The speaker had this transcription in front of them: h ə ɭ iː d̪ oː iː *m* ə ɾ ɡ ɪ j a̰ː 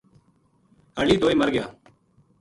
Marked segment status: correct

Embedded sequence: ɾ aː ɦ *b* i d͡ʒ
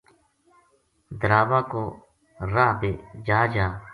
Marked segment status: correct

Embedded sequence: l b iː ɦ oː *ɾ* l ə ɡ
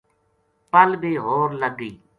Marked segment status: correct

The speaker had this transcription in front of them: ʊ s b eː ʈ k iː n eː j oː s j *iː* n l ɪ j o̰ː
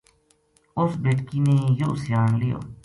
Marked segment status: incorrect: aː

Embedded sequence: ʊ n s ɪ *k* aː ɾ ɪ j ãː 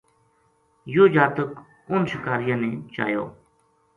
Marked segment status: correct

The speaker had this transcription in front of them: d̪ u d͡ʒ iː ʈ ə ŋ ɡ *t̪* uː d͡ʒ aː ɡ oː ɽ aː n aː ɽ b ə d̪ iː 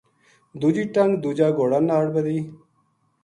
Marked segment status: incorrect: d̪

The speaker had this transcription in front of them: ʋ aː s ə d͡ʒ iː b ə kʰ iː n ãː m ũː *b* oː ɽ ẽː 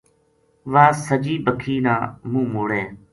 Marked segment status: incorrect: m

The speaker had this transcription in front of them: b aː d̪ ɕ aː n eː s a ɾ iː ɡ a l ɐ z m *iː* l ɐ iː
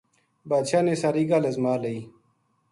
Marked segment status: incorrect: aː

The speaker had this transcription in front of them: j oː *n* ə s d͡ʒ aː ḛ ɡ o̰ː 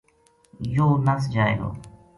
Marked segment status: correct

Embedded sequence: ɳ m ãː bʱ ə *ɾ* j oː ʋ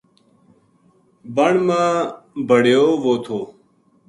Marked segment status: incorrect: ɽ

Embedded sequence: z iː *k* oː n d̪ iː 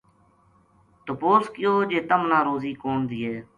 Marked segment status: correct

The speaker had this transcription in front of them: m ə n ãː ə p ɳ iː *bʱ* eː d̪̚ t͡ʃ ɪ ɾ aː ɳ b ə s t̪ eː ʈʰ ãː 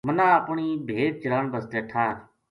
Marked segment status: correct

